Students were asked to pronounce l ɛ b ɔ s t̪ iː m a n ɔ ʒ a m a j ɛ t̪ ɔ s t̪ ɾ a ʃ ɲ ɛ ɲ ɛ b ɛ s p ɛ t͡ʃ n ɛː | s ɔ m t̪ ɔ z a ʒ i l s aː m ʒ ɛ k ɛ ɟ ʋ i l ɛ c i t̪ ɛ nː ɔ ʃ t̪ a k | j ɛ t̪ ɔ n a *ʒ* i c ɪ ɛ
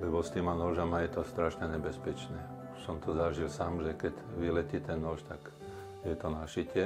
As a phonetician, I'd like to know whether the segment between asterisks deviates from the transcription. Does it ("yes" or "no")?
yes